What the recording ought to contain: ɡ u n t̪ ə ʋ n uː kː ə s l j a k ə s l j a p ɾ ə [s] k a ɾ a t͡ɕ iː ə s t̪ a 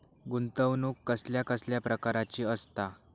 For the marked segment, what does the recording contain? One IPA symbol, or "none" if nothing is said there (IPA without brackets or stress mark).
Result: none